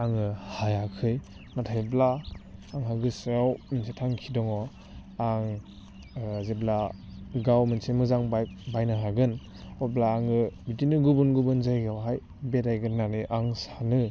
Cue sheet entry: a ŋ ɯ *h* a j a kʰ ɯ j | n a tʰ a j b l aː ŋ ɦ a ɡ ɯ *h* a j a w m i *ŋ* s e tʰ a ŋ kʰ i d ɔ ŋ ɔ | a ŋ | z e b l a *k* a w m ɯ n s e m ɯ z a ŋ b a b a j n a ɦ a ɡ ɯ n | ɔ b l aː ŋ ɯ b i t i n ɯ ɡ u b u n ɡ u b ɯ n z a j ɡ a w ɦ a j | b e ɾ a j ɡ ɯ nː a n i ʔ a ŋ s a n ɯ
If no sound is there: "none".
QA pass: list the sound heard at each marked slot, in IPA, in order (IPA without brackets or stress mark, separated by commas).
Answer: h, s, n, ɡ